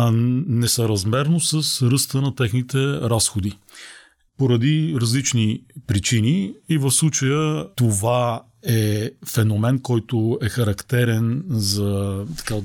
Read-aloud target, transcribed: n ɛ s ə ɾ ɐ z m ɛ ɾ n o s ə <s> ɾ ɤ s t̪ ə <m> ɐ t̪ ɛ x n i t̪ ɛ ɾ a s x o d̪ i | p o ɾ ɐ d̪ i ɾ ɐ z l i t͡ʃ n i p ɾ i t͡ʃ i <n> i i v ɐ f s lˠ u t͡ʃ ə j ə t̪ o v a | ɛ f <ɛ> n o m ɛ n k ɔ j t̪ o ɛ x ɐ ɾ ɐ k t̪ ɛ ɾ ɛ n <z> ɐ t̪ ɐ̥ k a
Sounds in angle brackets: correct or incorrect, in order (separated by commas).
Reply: correct, incorrect, correct, correct, correct